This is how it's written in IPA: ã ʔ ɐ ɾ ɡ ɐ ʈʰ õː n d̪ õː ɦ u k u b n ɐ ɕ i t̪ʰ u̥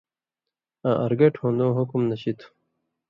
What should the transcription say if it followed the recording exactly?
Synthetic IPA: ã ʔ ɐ ɾ ɡ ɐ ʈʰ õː n d̪ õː ɦ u k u m n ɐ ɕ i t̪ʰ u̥